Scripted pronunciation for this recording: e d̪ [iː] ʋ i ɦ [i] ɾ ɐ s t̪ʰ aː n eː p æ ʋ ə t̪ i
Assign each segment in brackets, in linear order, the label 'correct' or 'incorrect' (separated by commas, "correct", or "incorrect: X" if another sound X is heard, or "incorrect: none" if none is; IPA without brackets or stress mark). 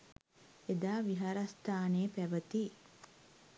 incorrect: aː, incorrect: a